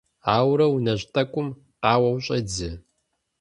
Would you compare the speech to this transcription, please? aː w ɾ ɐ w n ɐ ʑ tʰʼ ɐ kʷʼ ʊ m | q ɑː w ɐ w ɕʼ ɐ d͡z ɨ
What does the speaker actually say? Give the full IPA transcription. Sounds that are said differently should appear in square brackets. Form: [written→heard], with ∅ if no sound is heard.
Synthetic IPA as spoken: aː w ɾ ɐ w n ɐ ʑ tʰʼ ɐ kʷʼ ʊ m | q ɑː w ɐ w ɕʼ ɐ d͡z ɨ